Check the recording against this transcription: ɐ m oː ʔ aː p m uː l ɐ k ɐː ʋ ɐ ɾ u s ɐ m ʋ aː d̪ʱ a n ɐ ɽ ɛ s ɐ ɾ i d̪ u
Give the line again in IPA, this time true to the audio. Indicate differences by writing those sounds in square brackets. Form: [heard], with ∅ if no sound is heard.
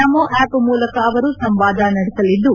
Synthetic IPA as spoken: ɐ m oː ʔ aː p m uː l ɐ k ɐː ʋ ɐ ɾ u s ɐ m ʋ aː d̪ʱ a n ɐ ɽ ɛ s ɐ [l] i [d̪ː] u